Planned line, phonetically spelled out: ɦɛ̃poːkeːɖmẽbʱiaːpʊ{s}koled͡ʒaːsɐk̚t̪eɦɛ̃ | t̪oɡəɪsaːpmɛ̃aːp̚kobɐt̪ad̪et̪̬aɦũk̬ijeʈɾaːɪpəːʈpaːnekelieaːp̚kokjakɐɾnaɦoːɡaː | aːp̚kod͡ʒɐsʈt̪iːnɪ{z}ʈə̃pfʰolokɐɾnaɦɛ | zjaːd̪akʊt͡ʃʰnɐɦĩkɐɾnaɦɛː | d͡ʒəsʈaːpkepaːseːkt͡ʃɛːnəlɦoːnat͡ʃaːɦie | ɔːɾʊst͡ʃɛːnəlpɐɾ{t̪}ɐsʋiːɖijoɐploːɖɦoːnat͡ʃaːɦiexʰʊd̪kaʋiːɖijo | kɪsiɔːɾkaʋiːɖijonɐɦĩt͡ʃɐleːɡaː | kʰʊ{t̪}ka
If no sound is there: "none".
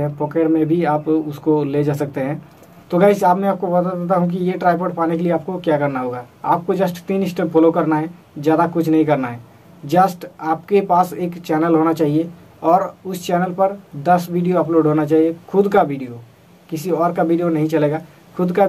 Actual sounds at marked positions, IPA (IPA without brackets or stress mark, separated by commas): s, s, d̪, d̪